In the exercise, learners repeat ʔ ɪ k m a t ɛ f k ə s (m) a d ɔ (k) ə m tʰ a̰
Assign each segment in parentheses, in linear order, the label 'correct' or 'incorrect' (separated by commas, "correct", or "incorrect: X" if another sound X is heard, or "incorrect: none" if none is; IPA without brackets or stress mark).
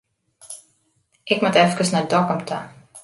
incorrect: n, correct